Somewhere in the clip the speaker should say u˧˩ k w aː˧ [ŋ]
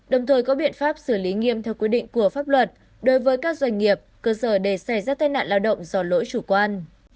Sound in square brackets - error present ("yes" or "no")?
yes